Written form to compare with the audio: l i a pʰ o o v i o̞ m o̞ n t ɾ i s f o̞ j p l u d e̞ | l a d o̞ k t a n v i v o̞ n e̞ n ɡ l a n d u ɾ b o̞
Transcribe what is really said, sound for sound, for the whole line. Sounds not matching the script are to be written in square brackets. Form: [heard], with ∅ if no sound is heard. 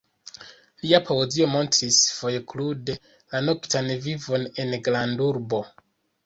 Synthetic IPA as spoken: l i a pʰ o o [z] i o̞ m o̞ n t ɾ i s f o̞ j [k] l u d e̞ | l a [n] o̞ k t a n v i v o̞ n e̞ n ɡ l a n d u ɾ b o̞

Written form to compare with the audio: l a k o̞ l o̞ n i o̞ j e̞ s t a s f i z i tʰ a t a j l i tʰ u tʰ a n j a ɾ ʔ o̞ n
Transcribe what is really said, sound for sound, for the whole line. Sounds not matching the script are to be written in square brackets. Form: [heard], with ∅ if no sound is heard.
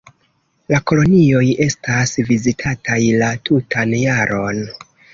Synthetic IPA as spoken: l a k o̞ l o̞ n i o̞ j e̞ s t a s [v] i z i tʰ a t a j l [a] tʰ u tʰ a n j a ɾ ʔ o̞ n

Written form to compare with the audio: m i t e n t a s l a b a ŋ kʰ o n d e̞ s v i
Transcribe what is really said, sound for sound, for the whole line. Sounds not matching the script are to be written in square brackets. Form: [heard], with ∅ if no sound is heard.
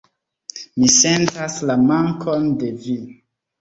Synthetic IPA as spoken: m i [s] e n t a s l a [m] a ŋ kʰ o n d e̞ [∅] v i

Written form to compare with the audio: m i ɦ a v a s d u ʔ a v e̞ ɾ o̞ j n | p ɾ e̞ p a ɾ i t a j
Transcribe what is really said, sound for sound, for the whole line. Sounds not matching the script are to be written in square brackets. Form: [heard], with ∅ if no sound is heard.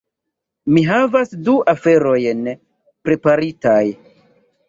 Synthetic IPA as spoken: m i ɦ a v a s d u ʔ a [f] e̞ ɾ o̞ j n | p ɾ e̞ p a ɾ i t a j

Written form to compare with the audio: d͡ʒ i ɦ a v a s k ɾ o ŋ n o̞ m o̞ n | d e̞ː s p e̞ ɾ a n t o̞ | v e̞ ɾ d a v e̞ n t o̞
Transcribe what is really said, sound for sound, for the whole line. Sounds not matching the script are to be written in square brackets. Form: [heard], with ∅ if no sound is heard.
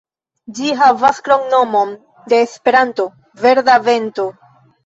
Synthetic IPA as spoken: d͡ʒ i ɦ a v a s k ɾ o ŋ n o̞ m o̞ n | d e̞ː s p e̞ ɾ a n t o̞ | v e̞ ɾ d a v e̞ n t o̞

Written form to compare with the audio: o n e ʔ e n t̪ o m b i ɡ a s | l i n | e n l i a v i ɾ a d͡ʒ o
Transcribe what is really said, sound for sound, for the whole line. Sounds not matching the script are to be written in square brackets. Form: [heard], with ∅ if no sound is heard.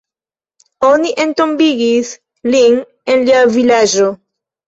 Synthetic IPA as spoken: o n [i] ʔ e n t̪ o m b i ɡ [i] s | l i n | e n l i a v i [l] a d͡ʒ o

